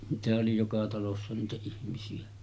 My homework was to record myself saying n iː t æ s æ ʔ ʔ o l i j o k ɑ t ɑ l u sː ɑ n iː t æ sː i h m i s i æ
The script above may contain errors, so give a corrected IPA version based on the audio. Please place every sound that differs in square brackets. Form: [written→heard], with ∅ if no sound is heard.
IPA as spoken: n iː t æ [s→h] æ ʔ ʔ o l i j o k ɑ t ɑ l [u→o] sː ɑ n iː t æ [sː→∅] i h m i s i æ